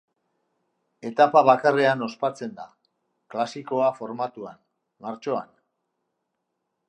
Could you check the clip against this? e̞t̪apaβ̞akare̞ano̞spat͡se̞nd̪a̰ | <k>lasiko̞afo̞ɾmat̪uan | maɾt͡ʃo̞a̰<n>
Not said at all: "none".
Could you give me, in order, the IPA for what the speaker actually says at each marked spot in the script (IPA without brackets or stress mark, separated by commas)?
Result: k, n